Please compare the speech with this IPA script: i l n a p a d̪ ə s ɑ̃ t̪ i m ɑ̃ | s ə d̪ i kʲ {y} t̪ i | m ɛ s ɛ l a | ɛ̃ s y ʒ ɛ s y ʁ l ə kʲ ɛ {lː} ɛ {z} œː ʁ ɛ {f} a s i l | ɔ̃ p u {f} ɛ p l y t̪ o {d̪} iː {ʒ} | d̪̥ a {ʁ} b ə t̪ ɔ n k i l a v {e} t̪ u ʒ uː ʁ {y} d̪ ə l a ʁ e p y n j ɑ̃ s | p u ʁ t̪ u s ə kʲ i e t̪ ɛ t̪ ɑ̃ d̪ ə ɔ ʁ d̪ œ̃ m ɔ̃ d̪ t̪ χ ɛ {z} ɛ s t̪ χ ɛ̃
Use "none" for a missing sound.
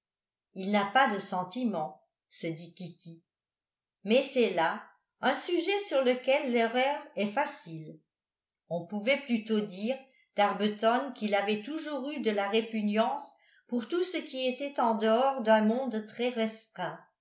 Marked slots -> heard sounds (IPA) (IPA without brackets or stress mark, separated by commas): i, lː, ʁ, f, v, d̪, ʁ, ʁ, ɛ, y, ʁ